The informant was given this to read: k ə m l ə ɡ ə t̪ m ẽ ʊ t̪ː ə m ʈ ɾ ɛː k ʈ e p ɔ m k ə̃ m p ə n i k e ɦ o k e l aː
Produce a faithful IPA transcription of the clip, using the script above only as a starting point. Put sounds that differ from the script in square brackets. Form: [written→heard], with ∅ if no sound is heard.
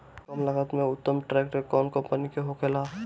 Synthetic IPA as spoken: k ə m l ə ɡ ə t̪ m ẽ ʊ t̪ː ə m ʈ ɾ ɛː k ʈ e [p→k] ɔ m k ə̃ m p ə n i k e ɦ o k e l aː